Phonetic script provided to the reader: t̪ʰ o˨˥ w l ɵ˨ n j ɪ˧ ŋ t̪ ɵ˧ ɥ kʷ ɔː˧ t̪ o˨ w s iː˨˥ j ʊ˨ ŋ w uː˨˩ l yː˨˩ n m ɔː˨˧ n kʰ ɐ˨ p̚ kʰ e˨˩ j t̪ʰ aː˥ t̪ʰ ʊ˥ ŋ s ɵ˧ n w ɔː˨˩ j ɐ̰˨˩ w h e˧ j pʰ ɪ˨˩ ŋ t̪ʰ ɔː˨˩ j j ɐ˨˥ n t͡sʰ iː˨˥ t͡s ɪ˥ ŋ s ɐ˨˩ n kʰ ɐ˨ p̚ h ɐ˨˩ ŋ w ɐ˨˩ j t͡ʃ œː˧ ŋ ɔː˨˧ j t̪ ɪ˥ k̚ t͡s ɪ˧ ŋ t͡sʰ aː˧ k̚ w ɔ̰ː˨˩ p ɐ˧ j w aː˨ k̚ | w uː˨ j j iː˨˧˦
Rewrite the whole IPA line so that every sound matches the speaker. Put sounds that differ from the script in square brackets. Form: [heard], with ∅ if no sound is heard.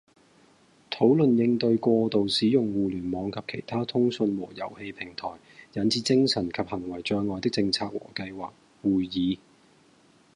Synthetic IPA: t̪ʰ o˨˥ w l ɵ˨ n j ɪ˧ ŋ t̪ ɵ˧ ɥ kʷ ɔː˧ t̪ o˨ w s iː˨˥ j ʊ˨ ŋ w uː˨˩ l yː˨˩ n m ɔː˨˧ [ŋ] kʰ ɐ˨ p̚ kʰ e˨˩ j t̪ʰ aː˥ t̪ʰ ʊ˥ ŋ s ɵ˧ n w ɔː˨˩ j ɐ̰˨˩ w h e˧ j pʰ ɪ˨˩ ŋ t̪ʰ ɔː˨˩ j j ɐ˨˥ n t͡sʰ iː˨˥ t͡s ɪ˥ ŋ s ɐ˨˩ n kʰ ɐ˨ p̚ h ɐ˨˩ ŋ w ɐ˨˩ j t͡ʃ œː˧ ŋ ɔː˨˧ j t̪ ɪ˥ k̚ t͡s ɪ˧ ŋ t͡sʰ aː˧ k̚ w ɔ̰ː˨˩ [k] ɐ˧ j w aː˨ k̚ | w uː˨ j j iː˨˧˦